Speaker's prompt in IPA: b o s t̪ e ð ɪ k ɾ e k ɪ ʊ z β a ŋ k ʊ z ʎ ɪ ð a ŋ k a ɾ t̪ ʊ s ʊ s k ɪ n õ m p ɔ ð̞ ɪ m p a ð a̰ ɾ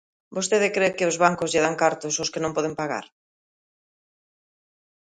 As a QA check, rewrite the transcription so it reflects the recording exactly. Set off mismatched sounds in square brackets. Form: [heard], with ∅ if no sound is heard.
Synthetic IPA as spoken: b o s t̪ e ð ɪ k ɾ e k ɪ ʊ z β a ŋ k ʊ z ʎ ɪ ð a ŋ k a ɾ t̪ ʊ s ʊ s k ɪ n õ m p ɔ ð̞ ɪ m p a [ɣ] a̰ ɾ